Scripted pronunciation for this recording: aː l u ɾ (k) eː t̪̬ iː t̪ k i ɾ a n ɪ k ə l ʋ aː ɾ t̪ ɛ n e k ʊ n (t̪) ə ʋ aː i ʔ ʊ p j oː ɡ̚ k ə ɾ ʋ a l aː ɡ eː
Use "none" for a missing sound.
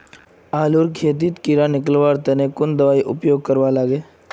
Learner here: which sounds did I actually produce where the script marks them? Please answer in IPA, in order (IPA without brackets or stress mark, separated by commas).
kʰ, d̪